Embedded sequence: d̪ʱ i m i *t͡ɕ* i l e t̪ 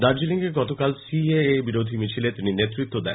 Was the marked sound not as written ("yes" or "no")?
yes